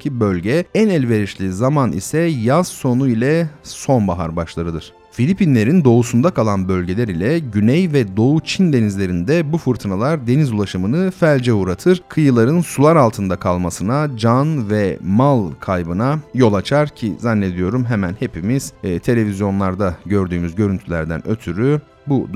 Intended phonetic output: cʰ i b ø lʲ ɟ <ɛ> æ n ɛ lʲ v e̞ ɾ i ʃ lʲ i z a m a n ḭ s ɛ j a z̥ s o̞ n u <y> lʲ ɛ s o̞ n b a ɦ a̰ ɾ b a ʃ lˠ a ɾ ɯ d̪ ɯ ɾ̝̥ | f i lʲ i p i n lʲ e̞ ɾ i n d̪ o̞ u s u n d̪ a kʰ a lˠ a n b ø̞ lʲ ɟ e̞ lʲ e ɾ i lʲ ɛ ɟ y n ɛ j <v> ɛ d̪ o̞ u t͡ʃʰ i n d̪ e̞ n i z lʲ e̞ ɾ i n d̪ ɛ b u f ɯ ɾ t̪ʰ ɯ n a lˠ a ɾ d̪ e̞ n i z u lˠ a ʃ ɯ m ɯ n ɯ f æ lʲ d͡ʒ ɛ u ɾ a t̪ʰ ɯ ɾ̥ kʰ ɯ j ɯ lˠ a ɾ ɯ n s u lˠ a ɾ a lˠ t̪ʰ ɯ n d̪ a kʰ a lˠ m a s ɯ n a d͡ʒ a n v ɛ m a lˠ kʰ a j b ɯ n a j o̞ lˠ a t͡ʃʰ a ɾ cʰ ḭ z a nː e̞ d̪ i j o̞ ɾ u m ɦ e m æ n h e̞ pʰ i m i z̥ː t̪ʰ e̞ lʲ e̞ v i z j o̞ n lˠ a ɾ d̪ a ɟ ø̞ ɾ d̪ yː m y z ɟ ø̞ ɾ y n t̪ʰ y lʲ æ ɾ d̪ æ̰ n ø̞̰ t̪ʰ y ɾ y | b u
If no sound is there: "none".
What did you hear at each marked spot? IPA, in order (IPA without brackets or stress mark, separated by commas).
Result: ɛ, i, v